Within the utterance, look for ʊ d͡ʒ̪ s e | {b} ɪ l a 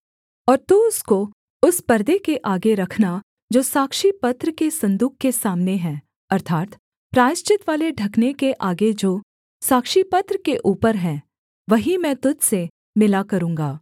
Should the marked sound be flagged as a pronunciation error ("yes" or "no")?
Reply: yes